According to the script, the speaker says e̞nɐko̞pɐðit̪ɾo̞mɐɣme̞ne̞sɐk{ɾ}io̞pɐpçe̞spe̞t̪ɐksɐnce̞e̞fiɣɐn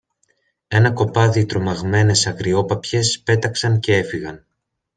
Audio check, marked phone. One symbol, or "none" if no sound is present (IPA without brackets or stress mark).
ɾ